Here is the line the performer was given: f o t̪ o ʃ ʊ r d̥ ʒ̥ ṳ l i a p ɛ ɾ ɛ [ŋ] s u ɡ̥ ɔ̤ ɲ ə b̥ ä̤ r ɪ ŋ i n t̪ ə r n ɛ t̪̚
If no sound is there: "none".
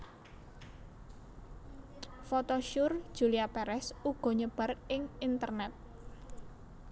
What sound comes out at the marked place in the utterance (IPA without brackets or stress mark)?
none